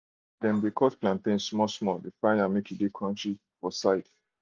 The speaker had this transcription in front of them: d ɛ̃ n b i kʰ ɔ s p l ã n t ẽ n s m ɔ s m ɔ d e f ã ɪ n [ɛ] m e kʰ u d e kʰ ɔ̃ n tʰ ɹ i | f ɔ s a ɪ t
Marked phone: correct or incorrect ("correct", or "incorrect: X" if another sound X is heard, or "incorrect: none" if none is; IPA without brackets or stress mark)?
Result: incorrect: a